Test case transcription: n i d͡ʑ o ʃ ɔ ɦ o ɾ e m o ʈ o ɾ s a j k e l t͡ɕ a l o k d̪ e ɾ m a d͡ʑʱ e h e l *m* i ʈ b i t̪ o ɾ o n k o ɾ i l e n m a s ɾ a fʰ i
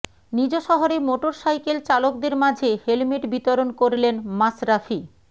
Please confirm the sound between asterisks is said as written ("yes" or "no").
yes